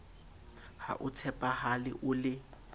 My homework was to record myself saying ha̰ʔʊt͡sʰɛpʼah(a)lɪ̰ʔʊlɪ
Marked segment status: correct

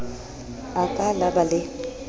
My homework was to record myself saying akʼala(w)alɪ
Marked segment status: incorrect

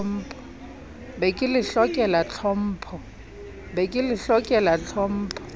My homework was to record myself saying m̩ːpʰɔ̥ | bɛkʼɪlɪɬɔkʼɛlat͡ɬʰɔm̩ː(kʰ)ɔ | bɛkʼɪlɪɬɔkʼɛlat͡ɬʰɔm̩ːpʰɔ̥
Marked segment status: incorrect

